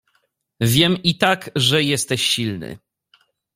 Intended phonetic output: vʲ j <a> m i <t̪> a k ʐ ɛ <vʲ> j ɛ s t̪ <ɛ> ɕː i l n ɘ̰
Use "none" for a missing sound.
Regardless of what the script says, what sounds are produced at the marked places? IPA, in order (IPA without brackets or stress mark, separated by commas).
ɛ, t̪, none, ɛ